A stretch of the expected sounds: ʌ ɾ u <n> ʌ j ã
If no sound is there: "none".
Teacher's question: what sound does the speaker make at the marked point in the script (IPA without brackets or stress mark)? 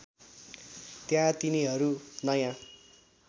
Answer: n